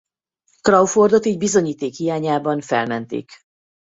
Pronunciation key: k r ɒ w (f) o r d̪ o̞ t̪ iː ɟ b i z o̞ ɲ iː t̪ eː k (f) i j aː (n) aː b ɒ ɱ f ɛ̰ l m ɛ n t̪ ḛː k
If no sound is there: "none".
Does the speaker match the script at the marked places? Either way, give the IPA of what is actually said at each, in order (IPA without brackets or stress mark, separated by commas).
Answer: f, h, ɲ